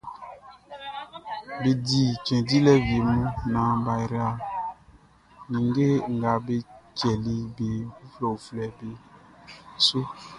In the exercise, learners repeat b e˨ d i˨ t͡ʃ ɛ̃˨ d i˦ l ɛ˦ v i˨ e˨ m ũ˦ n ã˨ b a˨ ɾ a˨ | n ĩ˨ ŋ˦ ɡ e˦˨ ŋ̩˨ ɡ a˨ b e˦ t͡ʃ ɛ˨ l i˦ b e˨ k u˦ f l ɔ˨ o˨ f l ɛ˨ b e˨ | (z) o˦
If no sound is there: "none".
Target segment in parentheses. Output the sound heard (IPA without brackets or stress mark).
s